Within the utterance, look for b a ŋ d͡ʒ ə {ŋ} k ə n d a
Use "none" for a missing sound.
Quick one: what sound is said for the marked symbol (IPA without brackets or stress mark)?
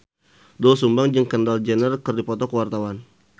ŋ